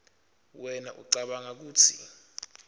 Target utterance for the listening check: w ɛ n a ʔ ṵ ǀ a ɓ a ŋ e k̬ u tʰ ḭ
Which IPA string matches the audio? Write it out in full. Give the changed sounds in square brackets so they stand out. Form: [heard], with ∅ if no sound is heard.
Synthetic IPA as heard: w ɛ n a ʔ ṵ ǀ a ɓ a ŋ [a] k̬ [uː] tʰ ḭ